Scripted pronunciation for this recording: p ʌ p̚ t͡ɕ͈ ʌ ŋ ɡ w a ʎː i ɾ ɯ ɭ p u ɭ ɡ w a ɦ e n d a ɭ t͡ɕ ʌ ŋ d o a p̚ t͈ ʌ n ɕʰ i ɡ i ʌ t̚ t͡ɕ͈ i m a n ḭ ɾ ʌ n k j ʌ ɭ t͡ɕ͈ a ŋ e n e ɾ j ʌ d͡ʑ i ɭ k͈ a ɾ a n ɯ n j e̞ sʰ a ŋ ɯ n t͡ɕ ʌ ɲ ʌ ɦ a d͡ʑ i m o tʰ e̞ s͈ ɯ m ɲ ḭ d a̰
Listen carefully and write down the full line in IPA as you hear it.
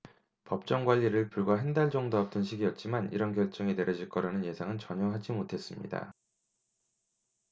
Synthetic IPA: p ʌ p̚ t͡ɕ͈ ʌ ŋ ɡ w a ʎː i ɾ ɯ ɭ p u ɭ ɡ w a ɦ e n d a ɭ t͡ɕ ʌ ŋ d o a p̚ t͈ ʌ n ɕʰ i ɡ i ʌ t̚ t͡ɕ͈ i m a n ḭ ɾ ʌ n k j ʌ ɭ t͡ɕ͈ ʌ ŋ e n e ɾ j ʌ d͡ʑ i ɭ k͈ ʌ ɾ a n ɯ n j e̞ sʰ a ŋ ɯ n t͡ɕ ʌ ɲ ʌ ɦ a d͡ʑ i m o tʰ e̞ s͈ ɯ m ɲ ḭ d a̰